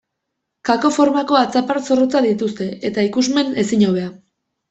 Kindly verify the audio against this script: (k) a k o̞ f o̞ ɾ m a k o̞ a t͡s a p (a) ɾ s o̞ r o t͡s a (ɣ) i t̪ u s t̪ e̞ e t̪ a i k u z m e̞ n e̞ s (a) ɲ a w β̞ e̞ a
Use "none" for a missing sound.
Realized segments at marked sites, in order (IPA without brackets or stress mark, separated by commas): k, a, ð, i